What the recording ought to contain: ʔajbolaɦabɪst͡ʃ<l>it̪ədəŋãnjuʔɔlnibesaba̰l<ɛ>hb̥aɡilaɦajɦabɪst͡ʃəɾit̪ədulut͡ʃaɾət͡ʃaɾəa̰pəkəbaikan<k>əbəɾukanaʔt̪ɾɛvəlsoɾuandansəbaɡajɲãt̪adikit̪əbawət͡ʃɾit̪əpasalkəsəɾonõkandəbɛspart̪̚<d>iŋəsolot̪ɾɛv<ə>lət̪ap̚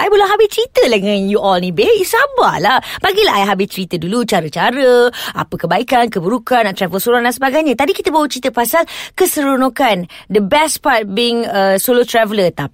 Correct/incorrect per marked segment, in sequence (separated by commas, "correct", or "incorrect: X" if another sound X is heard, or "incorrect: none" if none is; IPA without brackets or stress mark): incorrect: ɾ, incorrect: a, correct, incorrect: b, correct